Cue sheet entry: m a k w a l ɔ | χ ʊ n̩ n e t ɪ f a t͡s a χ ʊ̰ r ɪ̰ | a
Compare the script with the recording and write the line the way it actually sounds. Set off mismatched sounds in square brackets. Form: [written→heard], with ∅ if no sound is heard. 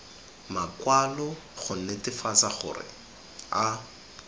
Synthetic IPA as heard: m a k w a l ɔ | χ ʊ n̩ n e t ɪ f a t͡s a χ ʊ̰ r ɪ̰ | a